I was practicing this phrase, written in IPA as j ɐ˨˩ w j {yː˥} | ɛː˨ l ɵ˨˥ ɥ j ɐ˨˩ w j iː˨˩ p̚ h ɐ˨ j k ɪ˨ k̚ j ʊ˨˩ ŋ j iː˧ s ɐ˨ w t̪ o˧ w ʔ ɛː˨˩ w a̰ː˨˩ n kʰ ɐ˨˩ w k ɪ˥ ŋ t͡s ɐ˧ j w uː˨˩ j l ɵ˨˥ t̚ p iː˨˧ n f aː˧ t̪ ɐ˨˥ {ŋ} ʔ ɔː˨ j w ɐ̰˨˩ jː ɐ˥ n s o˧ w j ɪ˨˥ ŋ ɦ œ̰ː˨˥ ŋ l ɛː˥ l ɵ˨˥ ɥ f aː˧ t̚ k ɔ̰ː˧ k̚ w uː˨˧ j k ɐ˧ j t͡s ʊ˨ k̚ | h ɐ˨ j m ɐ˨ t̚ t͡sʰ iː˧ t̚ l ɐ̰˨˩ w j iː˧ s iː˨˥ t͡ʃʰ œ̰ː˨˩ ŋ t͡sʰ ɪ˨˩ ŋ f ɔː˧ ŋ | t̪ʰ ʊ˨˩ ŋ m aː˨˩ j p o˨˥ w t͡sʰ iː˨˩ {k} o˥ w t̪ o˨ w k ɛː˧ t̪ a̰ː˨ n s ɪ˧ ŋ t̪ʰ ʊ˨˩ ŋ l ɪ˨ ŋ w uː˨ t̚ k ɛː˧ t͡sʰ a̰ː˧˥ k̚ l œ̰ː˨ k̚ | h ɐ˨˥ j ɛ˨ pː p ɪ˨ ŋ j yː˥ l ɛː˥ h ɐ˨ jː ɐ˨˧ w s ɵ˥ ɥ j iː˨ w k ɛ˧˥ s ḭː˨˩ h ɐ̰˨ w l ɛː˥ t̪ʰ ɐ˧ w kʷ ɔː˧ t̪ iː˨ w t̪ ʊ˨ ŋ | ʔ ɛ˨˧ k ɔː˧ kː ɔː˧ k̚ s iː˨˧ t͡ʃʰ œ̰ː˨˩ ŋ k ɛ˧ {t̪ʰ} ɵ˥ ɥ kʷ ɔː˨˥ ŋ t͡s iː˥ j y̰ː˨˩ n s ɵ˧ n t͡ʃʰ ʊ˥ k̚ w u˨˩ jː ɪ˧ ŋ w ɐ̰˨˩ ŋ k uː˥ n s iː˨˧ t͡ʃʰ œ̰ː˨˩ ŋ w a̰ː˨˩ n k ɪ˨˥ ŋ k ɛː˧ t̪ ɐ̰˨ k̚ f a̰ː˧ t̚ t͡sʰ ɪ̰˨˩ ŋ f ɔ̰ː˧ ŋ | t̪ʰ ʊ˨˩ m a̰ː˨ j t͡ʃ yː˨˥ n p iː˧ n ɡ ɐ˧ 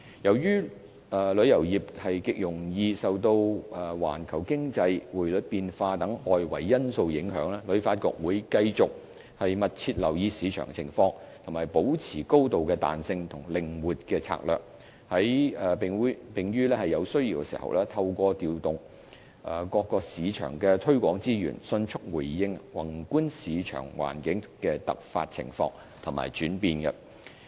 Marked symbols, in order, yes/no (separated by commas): yes, yes, yes, yes